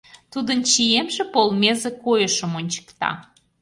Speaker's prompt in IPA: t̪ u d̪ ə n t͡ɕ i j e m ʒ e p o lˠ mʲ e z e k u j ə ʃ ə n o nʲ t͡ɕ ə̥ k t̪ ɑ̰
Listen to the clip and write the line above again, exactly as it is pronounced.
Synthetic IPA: t̪ u d̪ ə n t͡ɕ i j e m ʒ e p o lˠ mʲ e z e k o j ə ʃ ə m o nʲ t͡ɕ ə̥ k t̪ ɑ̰